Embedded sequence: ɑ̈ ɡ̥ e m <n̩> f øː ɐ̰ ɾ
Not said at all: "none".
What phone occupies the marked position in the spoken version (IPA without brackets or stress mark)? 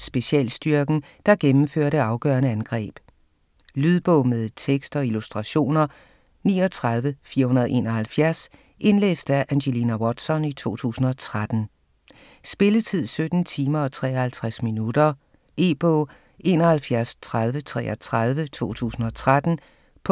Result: m̩